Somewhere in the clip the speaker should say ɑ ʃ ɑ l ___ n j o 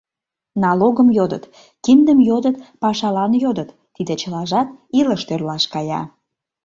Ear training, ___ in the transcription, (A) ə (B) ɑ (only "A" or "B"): B